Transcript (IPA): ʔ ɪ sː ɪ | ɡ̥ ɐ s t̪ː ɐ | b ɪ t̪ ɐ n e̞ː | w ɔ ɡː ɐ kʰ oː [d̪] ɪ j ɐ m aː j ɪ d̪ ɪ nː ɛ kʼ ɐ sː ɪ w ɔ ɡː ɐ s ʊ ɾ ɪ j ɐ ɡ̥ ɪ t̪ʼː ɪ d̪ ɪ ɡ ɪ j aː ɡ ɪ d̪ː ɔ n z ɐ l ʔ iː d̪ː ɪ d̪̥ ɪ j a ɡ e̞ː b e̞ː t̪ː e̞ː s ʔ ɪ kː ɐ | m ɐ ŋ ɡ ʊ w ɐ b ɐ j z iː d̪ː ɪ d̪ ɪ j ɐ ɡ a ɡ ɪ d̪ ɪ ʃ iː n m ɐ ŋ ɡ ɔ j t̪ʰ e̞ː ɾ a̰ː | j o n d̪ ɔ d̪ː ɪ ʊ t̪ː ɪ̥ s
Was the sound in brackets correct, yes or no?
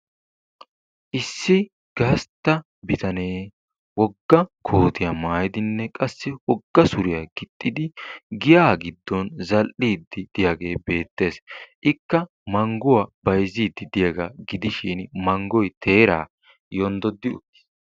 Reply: no